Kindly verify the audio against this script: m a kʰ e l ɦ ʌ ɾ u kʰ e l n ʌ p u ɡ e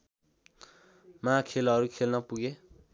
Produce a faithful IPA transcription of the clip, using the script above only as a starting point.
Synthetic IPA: m a kʰ e l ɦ ʌ ɾ u kʰ e l n ʌ p u ɡ e